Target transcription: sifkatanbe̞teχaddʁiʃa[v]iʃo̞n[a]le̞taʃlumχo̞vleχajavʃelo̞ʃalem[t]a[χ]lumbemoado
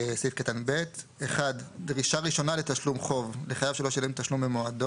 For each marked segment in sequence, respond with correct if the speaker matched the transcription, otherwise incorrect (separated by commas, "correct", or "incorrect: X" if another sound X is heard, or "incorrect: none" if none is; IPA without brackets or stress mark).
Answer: incorrect: ʁ, correct, correct, incorrect: ʃ